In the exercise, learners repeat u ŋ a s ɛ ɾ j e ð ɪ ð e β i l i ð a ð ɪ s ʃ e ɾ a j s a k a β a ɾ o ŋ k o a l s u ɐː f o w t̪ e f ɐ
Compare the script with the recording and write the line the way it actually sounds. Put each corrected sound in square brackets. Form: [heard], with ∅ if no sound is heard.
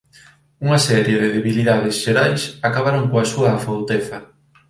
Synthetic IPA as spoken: u ŋ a s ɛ ɾ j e ð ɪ ð e β i l i ð a ð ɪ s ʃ e ɾ a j s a k a β a ɾ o ŋ k o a [∅] s u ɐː f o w t̪ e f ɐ